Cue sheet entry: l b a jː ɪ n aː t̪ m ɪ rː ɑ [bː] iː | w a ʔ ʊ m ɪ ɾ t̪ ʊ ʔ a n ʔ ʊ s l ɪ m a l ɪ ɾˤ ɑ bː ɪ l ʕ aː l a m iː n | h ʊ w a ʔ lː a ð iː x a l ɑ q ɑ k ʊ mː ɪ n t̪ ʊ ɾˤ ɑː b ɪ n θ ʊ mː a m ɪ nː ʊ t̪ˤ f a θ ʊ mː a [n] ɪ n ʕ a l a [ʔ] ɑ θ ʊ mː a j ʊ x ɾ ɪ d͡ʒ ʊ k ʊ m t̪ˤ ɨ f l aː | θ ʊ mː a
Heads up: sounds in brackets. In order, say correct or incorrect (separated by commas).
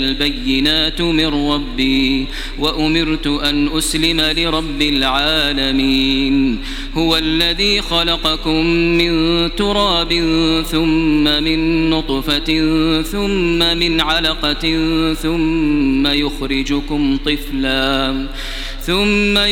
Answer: correct, incorrect, incorrect